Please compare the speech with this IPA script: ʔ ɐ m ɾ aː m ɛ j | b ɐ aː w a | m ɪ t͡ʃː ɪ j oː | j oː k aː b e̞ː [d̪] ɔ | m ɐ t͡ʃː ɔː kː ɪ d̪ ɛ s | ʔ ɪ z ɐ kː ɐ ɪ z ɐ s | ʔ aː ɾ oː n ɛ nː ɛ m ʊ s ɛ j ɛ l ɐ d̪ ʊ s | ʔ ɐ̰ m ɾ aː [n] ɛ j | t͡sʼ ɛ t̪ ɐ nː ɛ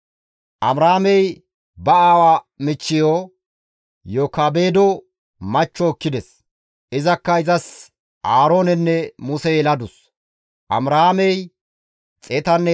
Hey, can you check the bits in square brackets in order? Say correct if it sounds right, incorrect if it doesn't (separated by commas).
correct, incorrect